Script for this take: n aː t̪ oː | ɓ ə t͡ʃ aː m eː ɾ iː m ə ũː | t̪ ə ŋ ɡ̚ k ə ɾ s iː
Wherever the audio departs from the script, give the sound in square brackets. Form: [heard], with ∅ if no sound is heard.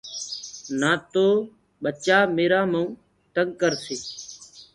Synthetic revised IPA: n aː t̪ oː | ɓ ə t͡ʃ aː m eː ɾ [aː] m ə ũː | t̪ ə ŋ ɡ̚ k ə ɾ s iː